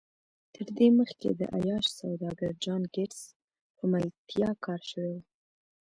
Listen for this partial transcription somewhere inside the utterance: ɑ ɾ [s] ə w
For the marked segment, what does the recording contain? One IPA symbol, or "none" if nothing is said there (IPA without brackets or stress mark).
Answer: ʃ